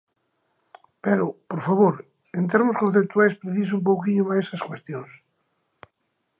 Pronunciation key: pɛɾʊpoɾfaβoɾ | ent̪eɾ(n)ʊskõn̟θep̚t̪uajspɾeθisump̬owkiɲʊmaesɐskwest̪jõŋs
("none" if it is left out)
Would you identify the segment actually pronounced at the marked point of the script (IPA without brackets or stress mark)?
m